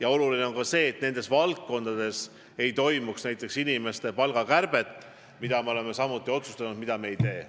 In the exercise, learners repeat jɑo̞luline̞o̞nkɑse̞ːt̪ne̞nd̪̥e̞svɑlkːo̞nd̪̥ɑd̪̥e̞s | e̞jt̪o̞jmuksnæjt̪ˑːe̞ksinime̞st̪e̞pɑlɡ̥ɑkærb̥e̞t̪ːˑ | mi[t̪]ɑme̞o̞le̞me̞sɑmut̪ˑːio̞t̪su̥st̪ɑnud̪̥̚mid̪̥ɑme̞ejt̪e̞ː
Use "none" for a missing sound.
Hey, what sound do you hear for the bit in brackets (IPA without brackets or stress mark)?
d̪